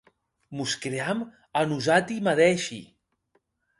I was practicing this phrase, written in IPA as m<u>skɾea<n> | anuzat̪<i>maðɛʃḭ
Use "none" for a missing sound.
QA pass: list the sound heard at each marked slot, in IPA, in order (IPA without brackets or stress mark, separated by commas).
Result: u, m, i